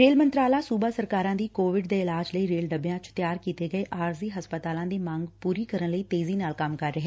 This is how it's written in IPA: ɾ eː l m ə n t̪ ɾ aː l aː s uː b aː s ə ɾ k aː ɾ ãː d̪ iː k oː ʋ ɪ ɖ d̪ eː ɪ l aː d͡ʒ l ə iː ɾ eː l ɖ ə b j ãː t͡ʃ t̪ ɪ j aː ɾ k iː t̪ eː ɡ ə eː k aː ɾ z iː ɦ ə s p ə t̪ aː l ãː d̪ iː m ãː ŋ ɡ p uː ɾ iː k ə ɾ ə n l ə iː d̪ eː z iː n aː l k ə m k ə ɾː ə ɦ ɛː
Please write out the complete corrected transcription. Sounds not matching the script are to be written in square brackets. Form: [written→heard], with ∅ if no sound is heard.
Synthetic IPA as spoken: ɾ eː l m ə n t̪ ɾ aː l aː s uː b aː s ə ɾ k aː ɾ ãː d̪ iː k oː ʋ ɪ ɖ d̪ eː ɪ l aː d͡ʒ l ə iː ɾ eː l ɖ ə b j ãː t͡ʃ t̪ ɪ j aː ɾ k iː t̪ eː ɡ ə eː [k→ʔ] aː ɾ z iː ɦ ə s p ə t̪ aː l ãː d̪ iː m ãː ŋ ɡ p uː ɾ iː k ə ɾ ə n l ə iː [d̪→t̪] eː z iː n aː l k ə m k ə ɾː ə ɦ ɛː